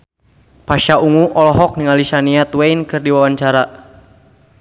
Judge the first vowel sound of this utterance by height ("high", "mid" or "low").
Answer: low